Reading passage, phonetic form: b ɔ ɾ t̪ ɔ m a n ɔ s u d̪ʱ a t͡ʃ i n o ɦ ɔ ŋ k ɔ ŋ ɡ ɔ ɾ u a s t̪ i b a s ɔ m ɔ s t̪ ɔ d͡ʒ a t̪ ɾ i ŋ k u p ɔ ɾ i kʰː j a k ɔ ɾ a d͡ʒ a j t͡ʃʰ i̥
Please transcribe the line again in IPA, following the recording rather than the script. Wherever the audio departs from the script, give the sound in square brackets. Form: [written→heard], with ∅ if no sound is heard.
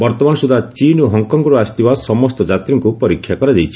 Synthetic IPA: b ɔ ɾ t̪ ɔ m a n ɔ s u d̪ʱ a t͡ʃ i n o ɦ ɔ ŋ k ɔ ŋ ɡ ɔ ɾ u a s t̪ i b a s ɔ m ɔ s t̪ ɔ d͡ʒ a t̪ ɾ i ŋ k u p ɔ ɾ i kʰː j a k ɔ ɾ a d͡ʒ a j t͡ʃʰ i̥